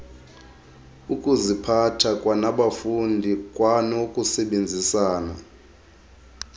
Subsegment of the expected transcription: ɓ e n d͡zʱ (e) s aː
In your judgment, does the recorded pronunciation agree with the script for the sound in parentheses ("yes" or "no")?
no